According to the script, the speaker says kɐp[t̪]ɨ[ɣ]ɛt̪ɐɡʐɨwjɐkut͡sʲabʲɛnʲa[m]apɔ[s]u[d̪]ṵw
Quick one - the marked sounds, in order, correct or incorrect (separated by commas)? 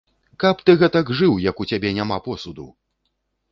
correct, correct, correct, correct, correct